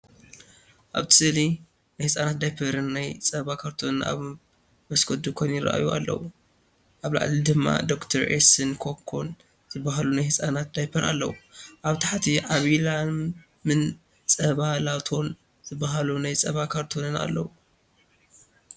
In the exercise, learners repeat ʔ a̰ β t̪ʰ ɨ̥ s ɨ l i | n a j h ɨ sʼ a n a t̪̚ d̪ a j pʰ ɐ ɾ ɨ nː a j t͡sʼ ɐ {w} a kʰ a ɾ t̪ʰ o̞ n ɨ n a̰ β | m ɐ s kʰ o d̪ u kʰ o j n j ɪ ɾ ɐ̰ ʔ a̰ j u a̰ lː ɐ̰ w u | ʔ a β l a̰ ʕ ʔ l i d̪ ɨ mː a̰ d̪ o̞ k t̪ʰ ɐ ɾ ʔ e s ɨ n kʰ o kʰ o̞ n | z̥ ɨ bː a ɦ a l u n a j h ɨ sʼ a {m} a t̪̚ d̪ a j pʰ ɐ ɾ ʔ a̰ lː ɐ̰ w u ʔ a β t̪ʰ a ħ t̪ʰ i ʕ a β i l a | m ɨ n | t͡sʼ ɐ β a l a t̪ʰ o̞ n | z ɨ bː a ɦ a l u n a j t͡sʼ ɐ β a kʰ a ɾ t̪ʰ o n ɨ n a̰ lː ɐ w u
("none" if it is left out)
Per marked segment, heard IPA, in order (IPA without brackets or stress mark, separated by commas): β, n